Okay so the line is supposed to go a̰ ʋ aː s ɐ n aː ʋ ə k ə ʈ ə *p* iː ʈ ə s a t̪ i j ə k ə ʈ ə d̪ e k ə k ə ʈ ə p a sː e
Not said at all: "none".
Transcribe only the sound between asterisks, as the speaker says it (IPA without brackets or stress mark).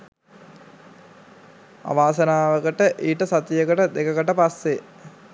ʔ